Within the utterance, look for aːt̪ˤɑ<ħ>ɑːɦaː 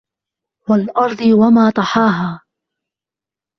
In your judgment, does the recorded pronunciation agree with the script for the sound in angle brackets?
yes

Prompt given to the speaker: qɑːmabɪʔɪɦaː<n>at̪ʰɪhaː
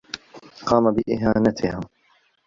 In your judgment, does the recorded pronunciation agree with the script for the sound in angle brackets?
yes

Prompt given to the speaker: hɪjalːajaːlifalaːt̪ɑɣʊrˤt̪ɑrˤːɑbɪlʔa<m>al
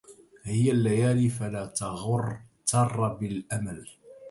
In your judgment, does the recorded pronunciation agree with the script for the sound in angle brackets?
yes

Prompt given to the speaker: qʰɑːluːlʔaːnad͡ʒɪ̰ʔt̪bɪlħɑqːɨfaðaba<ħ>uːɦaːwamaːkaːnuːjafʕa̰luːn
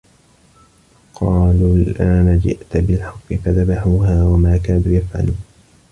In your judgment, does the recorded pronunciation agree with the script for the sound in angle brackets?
yes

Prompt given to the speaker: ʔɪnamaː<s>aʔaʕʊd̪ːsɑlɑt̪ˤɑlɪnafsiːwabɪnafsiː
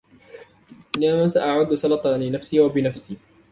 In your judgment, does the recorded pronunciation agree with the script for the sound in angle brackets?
yes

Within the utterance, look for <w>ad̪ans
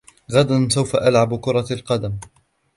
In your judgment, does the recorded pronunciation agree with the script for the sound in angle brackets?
no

